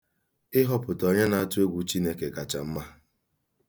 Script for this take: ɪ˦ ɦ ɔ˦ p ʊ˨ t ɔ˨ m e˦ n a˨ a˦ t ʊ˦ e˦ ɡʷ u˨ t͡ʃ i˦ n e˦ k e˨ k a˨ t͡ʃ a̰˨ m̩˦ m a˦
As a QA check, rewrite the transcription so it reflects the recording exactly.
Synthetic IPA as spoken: ɪ˦ ɦ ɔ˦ p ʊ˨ t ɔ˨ ɲ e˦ n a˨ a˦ t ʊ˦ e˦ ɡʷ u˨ t͡ʃ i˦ n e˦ k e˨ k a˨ t͡ʃ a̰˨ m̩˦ m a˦